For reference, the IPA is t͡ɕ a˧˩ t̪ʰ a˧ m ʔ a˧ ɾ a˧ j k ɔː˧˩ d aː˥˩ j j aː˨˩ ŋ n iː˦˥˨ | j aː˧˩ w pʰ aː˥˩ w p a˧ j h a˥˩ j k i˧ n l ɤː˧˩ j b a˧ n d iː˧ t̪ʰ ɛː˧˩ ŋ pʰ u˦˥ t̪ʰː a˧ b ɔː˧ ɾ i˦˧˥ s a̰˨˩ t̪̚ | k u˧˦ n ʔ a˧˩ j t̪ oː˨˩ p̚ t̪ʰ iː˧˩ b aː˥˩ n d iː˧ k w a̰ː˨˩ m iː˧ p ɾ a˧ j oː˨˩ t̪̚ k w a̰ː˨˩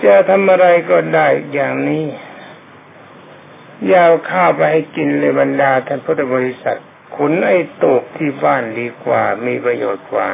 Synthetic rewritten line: t͡ɕ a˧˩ t̪ʰ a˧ m ʔ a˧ ɾ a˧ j k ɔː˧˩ d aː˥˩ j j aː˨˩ ŋ n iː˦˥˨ | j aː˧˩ w kʰ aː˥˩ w p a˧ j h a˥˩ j k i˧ n l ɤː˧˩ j b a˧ n d aː˧ t̪ʰ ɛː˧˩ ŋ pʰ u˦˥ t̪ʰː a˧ b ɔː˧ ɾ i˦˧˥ s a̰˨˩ t̪̚ | kʰ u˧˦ n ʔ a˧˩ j t̪ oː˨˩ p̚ t̪ʰ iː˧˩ b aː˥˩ n d iː˧ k w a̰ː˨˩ m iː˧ p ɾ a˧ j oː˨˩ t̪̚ k w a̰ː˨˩